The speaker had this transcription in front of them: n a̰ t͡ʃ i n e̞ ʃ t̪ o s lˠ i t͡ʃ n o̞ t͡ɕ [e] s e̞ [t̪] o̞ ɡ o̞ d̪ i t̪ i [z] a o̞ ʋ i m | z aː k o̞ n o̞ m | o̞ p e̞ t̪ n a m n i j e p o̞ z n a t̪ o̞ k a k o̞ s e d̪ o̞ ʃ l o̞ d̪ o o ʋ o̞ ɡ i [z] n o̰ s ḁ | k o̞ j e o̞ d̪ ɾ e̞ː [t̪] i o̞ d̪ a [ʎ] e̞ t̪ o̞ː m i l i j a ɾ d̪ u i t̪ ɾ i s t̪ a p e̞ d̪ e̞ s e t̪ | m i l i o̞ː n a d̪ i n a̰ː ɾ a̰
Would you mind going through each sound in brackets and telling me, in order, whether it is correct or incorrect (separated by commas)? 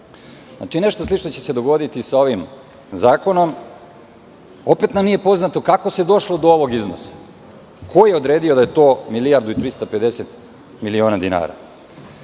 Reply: correct, incorrect, incorrect, correct, incorrect, incorrect